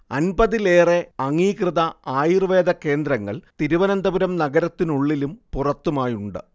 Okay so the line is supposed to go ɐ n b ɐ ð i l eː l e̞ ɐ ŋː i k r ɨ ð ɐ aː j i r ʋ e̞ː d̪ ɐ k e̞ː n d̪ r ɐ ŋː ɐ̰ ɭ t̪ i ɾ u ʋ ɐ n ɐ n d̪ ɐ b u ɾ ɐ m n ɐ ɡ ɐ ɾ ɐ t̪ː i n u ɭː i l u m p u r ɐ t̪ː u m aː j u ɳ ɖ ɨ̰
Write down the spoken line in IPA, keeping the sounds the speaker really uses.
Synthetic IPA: ɐ n b ɐ ð i l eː r e̞ ɐ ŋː iː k r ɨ ð ɐ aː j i r ʋ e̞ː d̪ ɐ k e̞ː n d̪ ɾ ɐ ŋː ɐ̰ ɭ t̪ i ɾ u ʋ ɐ n ɐ n d̪ ɐ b u ɾ ɐ m n ɐ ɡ ɐ ɾ ɐ t̪ː i n u ɭː i l u m p u r ɐ t̪ː u m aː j u ɳ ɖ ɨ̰